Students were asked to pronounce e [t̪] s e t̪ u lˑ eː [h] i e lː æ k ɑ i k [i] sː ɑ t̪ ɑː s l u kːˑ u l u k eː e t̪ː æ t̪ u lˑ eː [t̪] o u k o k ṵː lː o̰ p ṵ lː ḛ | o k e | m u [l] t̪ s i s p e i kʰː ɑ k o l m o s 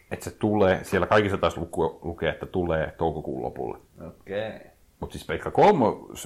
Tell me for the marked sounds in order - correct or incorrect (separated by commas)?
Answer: correct, incorrect, correct, correct, incorrect